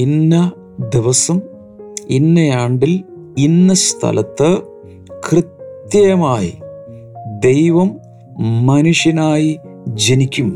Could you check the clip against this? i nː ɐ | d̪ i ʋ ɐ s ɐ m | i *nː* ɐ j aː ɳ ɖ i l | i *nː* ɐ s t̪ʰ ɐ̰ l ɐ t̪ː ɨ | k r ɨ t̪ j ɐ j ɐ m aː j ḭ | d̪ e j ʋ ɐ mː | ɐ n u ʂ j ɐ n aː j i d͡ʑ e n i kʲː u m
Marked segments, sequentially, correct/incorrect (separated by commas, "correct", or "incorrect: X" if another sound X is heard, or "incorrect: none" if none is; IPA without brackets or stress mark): correct, correct